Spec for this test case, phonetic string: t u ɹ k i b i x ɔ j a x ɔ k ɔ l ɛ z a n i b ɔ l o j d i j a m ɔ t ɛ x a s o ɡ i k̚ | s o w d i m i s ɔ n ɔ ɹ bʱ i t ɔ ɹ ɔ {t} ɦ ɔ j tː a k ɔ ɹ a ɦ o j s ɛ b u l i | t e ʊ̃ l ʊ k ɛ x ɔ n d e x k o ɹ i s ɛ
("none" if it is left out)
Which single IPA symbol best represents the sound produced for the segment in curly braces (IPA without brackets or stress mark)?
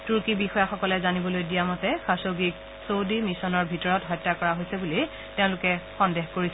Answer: t